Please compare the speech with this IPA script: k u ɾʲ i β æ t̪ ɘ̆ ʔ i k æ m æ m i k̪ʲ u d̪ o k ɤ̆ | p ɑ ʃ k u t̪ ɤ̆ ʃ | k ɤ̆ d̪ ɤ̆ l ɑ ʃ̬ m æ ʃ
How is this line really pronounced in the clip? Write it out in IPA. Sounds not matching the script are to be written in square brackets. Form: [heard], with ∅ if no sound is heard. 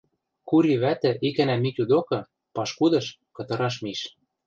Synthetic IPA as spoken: k u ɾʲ i β æ t̪ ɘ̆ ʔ i k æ [n] æ m i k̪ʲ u d̪ o k ɤ̆ | p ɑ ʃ k u [d̪] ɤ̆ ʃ | k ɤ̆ [t̪] ɤ̆ [ɾ] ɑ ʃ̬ m [i] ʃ